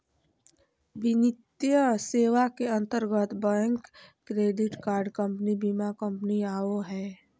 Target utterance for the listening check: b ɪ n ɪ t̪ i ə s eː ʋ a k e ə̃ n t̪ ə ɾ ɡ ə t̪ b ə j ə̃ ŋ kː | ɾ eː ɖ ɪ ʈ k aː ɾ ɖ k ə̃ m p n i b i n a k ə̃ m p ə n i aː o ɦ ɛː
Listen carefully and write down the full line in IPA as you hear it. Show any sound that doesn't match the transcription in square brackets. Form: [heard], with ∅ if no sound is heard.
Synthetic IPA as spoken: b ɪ n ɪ t̪ [j] ə s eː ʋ a k e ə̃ n t̪ ə ɾ ɡ ə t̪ b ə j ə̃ ŋ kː | ɾ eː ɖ ɪ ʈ k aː ɾ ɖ k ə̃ m p n i b i [m] a k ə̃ m p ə n i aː o ɦ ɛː